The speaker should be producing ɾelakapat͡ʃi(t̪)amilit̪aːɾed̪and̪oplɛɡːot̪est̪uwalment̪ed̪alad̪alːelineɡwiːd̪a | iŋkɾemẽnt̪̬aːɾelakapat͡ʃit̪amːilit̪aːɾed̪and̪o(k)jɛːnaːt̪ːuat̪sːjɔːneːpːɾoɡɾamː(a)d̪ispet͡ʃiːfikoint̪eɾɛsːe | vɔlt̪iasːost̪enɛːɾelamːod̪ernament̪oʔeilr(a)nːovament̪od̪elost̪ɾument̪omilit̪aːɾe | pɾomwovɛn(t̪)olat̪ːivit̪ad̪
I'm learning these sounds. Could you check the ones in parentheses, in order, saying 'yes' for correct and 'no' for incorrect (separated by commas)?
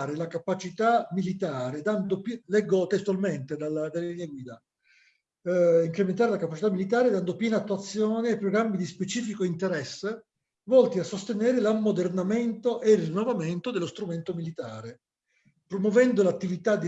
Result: yes, no, no, no, no